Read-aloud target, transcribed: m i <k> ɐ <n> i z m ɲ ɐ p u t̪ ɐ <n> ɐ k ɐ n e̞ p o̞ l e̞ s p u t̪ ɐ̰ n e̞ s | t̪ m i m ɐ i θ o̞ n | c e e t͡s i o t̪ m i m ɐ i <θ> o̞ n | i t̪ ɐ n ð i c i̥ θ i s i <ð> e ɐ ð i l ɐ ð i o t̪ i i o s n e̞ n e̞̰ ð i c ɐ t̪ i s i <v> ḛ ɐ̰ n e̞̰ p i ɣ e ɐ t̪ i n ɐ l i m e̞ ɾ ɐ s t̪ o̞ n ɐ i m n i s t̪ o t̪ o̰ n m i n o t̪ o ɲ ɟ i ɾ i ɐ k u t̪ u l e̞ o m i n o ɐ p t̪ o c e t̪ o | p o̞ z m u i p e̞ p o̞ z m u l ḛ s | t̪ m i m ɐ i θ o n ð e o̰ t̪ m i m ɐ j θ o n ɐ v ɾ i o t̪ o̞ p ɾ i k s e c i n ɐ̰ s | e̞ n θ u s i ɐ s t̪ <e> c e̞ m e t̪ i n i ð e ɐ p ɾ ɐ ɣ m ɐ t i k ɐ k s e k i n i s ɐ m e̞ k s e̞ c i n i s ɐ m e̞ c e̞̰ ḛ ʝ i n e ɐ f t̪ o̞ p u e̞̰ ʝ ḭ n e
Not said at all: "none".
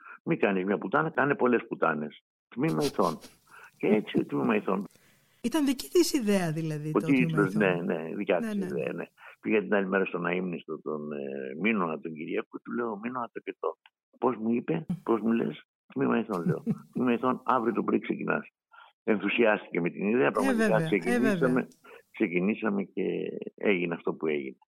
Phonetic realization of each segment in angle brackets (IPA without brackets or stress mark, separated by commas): k, n, n, θ, ð, ð, i